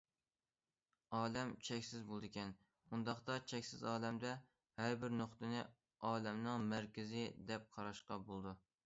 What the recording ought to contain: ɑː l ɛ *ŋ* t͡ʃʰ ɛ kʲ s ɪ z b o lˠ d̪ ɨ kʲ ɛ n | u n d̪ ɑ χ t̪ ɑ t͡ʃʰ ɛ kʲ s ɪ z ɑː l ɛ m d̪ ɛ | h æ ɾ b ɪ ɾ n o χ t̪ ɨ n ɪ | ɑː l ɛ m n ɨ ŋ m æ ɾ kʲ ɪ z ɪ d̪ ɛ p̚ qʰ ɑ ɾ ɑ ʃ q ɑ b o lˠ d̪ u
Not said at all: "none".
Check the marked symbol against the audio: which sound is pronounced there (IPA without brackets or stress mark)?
m